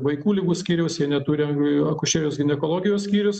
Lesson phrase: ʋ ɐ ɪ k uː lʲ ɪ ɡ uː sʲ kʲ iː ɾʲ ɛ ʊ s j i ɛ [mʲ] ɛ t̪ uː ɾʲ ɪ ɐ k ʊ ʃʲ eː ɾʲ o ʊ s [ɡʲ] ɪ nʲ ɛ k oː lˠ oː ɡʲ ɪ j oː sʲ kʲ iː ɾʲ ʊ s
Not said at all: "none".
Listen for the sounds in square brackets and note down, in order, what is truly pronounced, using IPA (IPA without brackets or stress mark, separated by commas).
nʲ, ɡʲ